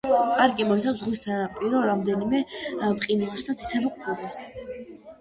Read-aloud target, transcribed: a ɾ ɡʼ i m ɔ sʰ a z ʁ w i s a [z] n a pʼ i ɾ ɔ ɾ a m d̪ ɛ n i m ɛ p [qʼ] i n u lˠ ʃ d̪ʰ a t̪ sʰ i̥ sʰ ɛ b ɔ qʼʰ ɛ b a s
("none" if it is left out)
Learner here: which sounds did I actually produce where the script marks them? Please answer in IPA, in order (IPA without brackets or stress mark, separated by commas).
none, qʼ